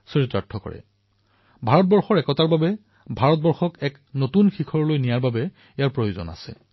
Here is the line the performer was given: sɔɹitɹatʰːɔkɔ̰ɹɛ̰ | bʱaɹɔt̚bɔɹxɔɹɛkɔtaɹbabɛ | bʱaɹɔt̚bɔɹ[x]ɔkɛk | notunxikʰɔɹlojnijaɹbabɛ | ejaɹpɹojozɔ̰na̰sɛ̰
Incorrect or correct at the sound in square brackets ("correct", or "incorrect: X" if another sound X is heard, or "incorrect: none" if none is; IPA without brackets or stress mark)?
correct